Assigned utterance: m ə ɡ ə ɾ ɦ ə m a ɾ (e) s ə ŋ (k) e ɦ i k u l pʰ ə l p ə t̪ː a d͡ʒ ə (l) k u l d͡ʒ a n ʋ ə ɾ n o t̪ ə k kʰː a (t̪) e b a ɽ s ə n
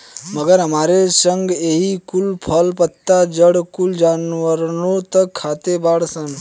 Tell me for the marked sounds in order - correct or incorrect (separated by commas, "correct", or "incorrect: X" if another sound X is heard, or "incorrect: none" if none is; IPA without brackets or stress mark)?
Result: correct, incorrect: ɡ, incorrect: ɽ, correct